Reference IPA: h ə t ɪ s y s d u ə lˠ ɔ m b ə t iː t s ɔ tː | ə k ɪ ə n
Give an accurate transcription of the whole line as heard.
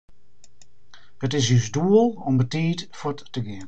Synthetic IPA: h ə t ɪ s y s d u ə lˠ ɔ m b ə t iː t f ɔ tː | ə ɡ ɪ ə n